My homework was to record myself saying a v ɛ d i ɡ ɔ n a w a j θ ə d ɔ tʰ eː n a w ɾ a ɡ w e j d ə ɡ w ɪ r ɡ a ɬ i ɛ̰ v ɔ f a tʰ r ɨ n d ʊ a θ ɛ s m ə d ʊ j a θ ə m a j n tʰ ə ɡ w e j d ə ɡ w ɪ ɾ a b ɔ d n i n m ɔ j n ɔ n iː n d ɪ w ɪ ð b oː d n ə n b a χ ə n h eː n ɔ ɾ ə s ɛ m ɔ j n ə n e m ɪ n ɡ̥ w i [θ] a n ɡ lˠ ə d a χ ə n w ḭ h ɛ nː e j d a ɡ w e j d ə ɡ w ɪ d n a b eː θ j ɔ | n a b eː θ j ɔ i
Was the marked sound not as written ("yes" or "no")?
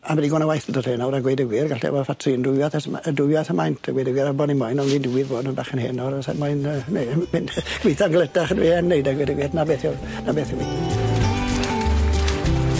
no